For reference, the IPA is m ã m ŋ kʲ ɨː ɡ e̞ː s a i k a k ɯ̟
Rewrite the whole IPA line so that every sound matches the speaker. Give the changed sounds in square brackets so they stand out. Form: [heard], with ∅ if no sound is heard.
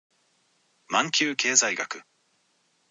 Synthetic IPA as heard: m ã [∅] ŋ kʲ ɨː [k] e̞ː [z] a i [ɡ] a k ɯ̟